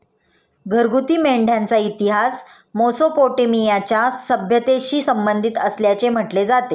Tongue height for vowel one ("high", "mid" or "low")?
mid